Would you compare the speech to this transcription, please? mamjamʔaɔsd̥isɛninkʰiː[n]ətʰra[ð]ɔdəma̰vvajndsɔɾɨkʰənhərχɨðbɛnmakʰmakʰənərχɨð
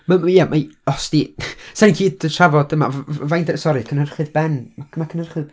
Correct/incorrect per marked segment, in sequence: incorrect: d, incorrect: v

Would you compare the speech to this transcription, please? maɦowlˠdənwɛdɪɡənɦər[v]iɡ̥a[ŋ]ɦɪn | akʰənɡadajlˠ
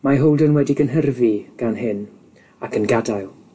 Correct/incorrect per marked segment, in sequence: correct, incorrect: n

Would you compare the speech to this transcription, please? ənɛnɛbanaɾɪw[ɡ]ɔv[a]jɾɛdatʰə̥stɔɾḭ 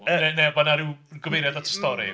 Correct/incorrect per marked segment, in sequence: correct, incorrect: e

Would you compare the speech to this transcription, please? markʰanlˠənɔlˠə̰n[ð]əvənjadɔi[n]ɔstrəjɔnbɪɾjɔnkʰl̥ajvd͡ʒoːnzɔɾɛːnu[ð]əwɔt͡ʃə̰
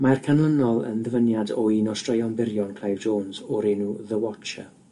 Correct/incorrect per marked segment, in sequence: correct, correct, correct

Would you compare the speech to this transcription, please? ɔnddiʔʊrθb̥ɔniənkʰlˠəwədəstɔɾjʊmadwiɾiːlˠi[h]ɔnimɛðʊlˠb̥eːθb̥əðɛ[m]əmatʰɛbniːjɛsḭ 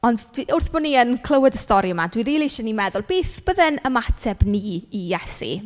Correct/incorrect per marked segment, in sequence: incorrect: ʃ, incorrect: n

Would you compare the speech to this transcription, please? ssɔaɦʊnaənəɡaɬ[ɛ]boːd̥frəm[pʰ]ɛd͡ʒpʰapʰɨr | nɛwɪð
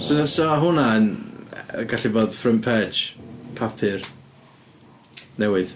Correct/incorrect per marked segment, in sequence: incorrect: i, correct

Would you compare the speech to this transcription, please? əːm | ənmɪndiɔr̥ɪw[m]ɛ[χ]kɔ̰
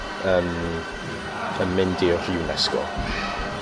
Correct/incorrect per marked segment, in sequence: incorrect: n, incorrect: s

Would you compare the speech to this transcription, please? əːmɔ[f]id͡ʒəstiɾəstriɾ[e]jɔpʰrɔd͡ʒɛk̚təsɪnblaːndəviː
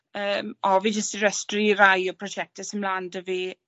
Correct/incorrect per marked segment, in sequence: incorrect: v, incorrect: a

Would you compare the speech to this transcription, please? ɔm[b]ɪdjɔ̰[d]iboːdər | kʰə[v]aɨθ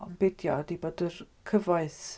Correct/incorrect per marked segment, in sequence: correct, correct, correct

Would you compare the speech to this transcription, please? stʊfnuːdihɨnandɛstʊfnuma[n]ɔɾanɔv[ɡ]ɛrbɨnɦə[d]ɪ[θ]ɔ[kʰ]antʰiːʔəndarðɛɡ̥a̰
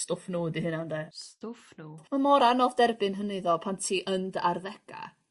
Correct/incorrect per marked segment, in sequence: incorrect: m, incorrect: d, incorrect: n, incorrect: ð, incorrect: pʰ

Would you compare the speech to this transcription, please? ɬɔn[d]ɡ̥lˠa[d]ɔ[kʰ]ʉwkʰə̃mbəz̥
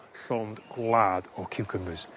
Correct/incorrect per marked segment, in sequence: correct, correct, correct

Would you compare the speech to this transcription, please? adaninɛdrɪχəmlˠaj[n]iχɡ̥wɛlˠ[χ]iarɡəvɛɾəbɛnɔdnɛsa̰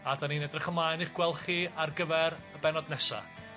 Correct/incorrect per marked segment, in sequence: correct, correct

